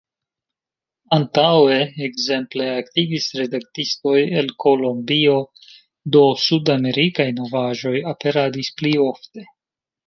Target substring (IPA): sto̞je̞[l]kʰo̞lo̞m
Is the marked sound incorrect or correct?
correct